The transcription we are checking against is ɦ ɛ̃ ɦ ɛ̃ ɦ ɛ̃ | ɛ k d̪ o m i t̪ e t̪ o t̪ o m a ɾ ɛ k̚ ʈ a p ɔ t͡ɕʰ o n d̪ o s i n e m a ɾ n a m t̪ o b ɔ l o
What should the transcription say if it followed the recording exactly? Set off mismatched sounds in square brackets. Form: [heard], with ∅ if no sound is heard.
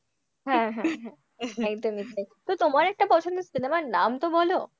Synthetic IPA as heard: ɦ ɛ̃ ɦ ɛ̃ ɦ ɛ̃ | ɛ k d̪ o m i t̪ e t̪ o t̪ o m a ɾ ɛ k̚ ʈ a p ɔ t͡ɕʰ o n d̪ o s i n e m a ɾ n a m t̪ o b ɔ l o